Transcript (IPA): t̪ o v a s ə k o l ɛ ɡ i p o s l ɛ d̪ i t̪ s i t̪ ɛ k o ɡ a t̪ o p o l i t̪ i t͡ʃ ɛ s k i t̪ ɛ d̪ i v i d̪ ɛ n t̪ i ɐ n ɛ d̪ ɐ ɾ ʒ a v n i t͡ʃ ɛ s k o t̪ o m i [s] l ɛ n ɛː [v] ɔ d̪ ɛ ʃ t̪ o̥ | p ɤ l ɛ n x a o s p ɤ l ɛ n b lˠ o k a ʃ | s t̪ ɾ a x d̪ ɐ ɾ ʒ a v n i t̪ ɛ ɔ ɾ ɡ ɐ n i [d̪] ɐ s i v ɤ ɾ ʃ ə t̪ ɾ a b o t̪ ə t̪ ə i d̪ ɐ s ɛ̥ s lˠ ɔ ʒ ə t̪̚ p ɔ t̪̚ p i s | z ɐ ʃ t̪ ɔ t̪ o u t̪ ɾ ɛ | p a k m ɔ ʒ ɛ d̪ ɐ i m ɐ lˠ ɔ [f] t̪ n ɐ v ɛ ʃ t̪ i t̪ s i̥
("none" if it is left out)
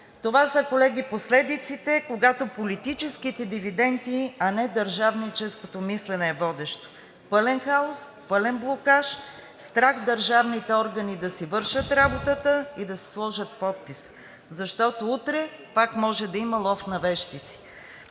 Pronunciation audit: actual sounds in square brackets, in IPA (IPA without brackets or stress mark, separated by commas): s, v, d̪, f